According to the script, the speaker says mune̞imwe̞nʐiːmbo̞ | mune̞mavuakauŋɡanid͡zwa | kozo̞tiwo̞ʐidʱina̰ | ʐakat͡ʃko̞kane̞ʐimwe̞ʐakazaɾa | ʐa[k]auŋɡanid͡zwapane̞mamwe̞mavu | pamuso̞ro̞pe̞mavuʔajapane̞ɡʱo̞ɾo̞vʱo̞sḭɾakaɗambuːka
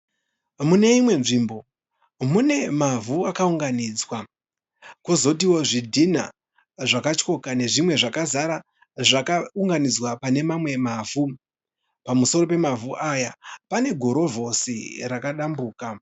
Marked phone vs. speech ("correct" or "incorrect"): correct